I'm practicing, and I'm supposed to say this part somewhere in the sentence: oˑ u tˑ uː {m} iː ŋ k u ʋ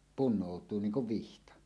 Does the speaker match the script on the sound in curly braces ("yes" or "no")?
no